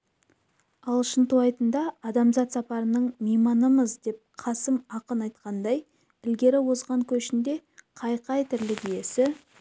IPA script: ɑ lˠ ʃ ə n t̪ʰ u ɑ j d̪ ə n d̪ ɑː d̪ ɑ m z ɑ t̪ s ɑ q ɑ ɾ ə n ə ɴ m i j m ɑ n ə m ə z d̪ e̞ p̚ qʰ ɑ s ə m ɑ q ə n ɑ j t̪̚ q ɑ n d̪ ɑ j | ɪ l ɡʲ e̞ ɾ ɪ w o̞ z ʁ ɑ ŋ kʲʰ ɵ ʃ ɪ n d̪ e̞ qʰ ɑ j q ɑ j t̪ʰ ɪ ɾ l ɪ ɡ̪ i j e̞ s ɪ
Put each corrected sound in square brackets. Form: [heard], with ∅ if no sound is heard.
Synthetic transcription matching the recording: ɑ lˠ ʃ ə n [t̪] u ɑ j [t̪] ə n d̪ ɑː d̪ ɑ m z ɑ t̪ s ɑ [p] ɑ ɾ ə n ə ɴ m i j m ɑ n ə m ə z d̪ e̞ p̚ qʰ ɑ s ə m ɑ q ə n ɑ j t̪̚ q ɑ n d̪ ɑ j | ɪ l ɡʲ e̞ ɾ ɪ w o̞ z ʁ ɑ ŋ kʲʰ ɵ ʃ ɪ n d̪ e̞ qʰ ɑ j q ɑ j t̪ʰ ɪ ɾ l ɪ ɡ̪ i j e̞ s ɪ